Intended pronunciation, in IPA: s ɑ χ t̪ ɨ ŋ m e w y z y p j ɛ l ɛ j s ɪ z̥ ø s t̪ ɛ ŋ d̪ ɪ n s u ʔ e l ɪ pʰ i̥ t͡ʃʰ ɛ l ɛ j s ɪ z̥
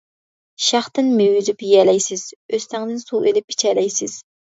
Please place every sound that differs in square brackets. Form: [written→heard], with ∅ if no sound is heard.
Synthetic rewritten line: [s→ʃ] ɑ χ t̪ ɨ [ŋ→n] m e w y z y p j ɛ l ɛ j s ɪ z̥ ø s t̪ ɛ ŋ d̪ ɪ n s u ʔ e l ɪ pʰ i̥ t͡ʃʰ ɛ l ɛ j s ɪ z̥